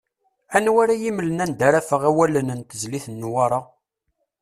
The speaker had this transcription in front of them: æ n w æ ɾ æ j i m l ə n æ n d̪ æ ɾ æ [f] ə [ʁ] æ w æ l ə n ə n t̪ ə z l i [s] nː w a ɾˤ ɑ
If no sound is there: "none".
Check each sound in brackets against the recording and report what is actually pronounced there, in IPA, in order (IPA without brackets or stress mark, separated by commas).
f, ʁ, θ